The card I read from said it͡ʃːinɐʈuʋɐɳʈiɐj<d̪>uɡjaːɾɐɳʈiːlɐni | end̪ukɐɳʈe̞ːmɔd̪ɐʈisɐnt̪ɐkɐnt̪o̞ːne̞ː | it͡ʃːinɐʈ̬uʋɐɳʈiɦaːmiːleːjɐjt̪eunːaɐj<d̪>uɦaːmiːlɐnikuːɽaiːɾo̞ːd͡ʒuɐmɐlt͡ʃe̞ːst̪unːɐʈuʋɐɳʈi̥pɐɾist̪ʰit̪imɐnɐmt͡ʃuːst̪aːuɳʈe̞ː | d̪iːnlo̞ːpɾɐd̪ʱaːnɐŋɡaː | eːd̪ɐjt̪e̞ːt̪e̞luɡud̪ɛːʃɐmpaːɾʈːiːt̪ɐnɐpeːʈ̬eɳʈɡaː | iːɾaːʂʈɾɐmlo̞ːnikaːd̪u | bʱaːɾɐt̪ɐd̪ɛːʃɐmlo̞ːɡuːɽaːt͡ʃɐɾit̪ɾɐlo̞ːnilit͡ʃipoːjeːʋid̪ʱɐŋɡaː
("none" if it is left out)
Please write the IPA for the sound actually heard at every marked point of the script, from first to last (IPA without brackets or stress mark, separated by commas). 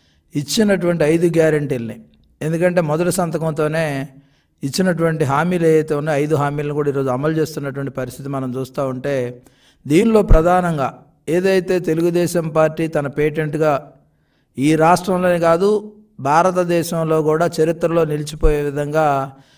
d̪, d̪